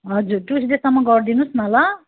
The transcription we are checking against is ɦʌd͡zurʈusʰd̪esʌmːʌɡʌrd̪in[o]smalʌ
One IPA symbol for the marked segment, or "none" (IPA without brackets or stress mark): u